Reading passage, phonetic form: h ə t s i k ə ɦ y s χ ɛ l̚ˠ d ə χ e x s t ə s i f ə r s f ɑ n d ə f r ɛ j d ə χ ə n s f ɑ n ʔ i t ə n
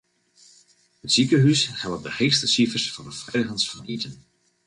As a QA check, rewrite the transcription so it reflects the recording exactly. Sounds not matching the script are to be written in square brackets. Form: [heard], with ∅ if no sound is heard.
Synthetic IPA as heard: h ə t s i k ə ɦ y s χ ɛ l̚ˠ d ə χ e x s t ə s i f ə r s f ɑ n d ə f r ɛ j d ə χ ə n s f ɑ n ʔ i t ə n